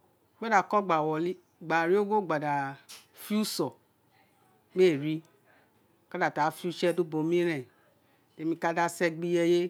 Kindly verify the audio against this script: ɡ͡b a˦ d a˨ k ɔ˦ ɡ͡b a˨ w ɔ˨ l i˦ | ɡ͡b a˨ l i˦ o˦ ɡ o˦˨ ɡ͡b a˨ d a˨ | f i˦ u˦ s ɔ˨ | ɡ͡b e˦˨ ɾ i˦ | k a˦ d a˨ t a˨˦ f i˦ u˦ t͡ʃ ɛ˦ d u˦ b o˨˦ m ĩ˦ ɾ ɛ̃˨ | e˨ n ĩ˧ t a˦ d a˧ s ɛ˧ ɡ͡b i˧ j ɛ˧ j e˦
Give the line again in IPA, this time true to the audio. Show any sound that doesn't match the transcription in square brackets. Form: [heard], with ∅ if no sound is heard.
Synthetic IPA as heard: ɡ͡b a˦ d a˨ k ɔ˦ ɡ͡b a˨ w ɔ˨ l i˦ | ɡ͡b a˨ [ɾ] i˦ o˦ ɡ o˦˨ ɡ͡b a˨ d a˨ | f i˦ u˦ s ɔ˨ | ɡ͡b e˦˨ ɾ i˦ | k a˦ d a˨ t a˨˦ f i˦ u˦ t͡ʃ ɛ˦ d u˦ b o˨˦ m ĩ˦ ɾ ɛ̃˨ | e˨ [m] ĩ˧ [k] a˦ d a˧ s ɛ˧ ɡ͡b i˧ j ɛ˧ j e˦